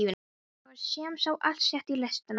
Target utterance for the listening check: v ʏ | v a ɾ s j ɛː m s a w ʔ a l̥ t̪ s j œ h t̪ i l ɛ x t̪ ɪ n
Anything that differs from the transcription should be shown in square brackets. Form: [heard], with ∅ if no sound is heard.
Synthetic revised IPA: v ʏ | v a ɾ s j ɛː m s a w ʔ a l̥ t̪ s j [ɛ] h t̪ i l ɛ [s] t̪ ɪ n